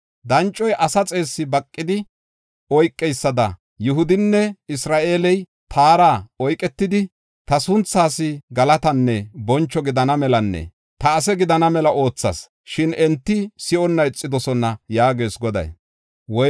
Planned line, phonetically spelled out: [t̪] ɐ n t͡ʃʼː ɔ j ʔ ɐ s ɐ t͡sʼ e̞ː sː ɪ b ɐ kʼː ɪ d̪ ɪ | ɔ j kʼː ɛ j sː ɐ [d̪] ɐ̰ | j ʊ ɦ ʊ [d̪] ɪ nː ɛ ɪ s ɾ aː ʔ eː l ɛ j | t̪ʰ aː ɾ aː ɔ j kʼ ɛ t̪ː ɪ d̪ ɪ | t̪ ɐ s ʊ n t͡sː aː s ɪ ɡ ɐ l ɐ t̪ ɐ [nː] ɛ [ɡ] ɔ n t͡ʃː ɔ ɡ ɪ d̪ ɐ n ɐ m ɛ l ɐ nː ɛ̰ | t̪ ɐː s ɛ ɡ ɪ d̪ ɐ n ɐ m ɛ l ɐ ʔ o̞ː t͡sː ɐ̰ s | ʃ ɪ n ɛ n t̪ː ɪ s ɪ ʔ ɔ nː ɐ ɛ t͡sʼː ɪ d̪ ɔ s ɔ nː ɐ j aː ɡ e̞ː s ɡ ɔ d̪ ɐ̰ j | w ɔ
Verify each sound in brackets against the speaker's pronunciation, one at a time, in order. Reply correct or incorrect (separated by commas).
incorrect, correct, correct, correct, incorrect